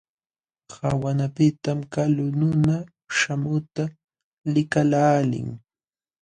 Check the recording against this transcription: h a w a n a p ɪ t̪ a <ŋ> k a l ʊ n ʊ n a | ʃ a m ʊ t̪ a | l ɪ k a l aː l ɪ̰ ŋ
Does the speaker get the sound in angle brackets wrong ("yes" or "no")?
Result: yes